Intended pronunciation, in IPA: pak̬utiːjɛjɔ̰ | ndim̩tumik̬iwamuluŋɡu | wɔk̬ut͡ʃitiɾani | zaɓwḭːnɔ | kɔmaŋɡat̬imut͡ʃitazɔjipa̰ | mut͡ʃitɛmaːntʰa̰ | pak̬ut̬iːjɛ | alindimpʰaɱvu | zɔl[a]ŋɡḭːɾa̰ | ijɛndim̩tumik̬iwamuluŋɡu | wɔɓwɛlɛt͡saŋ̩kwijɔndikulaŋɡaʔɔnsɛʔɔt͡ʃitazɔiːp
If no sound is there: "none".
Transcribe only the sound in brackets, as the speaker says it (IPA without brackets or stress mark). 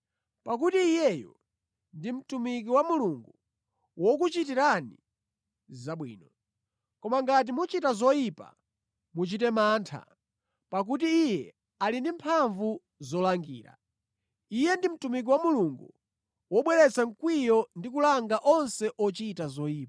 a